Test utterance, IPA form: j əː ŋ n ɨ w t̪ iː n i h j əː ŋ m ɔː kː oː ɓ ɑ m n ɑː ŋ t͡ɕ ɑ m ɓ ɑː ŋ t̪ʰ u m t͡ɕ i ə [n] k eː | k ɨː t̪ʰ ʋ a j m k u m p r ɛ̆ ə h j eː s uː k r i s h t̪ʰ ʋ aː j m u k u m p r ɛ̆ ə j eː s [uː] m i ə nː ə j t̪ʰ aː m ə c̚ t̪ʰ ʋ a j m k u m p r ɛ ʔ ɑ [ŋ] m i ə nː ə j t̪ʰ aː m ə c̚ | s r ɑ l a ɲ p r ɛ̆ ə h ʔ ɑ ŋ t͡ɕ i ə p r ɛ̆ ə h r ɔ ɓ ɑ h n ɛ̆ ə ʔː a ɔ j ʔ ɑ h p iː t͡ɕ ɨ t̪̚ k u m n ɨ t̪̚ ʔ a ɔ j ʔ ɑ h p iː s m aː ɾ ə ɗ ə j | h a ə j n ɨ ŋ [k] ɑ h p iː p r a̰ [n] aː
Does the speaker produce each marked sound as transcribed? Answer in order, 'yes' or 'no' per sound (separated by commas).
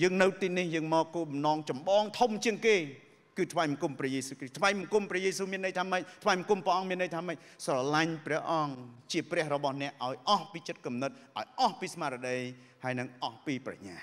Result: no, yes, yes, no, no